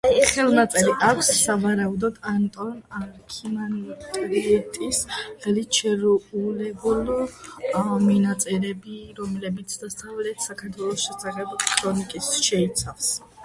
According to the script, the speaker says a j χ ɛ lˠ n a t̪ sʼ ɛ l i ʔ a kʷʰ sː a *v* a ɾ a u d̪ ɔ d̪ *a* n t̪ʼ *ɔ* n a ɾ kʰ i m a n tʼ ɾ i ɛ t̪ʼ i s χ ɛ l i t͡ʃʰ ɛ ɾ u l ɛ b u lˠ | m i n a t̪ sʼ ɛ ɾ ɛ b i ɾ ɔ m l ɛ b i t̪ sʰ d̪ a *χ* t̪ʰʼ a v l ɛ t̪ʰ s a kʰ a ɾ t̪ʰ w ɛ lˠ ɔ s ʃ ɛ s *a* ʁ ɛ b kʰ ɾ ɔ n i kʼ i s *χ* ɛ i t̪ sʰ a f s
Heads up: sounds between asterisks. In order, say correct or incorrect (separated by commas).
correct, correct, correct, incorrect, correct, incorrect